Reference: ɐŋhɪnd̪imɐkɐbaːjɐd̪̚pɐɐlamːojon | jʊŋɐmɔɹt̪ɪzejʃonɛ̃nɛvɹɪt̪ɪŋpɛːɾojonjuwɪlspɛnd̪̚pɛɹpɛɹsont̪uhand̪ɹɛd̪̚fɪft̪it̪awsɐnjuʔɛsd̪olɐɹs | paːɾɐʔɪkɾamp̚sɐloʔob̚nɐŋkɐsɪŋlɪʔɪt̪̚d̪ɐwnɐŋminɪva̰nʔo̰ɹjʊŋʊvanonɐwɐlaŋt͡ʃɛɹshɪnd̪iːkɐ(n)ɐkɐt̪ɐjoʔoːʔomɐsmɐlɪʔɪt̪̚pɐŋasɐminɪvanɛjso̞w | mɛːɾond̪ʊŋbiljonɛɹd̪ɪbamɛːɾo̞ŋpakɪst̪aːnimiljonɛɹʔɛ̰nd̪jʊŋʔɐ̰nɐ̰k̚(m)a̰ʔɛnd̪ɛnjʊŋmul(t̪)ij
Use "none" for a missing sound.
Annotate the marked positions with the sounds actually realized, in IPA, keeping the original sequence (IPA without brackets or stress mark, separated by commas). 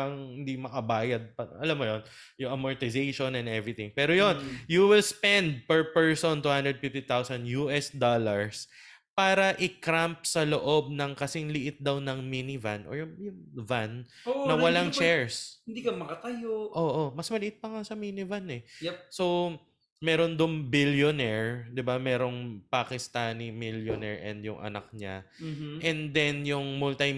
m, ɲ, t̪